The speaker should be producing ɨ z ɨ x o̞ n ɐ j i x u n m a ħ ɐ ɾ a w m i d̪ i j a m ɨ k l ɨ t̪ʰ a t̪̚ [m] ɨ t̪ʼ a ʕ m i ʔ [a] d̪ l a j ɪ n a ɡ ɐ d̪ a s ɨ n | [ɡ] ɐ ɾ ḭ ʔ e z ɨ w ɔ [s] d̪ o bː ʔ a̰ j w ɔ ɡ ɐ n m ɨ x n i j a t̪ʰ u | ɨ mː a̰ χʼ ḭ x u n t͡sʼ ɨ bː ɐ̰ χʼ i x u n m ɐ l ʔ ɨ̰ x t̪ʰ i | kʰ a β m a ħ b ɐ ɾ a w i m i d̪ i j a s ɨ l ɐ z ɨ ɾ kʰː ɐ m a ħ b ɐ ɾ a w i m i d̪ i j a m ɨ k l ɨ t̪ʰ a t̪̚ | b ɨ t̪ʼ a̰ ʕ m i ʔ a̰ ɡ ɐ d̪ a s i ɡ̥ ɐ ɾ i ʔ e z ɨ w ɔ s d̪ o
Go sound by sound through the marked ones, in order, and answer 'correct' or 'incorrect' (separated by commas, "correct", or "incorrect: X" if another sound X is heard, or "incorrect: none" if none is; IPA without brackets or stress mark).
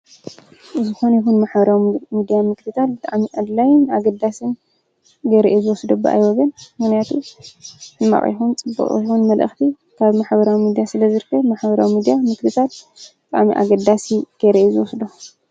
incorrect: b, correct, correct, correct